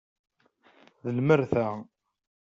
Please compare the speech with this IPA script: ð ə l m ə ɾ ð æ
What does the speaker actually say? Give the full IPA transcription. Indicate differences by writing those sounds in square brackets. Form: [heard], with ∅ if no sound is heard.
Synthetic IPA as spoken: ð ə l m ə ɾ [θ] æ